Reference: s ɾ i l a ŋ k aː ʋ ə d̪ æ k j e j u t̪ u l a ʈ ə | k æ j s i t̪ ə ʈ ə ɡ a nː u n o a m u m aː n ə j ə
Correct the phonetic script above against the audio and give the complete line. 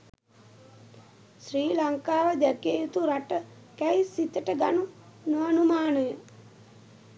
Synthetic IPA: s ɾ iː l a ŋ k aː ʋ ə d̪ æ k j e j u t̪ u ɾ a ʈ ə | k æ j s i t̪ ə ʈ ə ɡ a n u n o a n u m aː n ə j ə